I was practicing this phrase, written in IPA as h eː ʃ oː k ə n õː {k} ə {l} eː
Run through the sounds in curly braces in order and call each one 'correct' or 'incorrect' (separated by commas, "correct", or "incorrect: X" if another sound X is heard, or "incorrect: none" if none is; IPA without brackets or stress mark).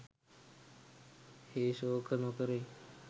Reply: correct, incorrect: ɾ